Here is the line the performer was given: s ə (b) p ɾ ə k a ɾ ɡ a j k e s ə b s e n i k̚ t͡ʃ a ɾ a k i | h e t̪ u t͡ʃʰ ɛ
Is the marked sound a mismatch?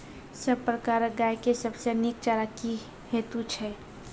no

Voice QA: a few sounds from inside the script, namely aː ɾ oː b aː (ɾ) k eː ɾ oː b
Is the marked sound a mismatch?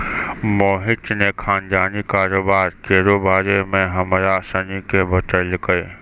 no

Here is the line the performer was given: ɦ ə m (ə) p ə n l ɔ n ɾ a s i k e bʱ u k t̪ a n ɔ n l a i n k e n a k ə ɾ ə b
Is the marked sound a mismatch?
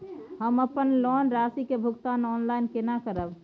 no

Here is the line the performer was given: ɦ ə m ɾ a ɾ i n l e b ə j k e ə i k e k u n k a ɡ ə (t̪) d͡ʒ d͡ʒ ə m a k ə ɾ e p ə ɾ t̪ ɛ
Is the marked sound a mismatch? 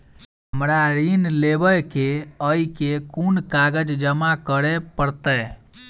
yes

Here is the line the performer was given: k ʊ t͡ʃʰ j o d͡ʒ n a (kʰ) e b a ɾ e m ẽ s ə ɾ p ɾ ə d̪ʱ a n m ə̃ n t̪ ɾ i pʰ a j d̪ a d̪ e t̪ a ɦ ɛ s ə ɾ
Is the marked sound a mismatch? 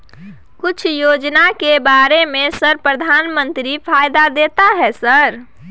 yes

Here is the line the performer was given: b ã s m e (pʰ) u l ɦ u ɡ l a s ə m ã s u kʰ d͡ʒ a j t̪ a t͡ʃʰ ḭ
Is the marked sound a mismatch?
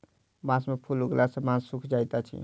no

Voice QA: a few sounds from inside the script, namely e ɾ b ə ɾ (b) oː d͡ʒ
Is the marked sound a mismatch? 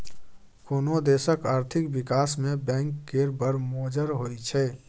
yes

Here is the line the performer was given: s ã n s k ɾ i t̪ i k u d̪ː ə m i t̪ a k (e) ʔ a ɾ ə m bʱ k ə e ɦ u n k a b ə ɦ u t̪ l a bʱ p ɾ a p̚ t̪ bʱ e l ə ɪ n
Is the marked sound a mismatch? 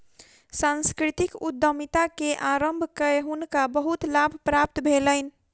no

